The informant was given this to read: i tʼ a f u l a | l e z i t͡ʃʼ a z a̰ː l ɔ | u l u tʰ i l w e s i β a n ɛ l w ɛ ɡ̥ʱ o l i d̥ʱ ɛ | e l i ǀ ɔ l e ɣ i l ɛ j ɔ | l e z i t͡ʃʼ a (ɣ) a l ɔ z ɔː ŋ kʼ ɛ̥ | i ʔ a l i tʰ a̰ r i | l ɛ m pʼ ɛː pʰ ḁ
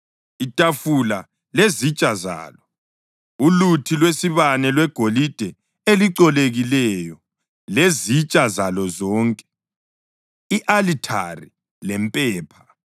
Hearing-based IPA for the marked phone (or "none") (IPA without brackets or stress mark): z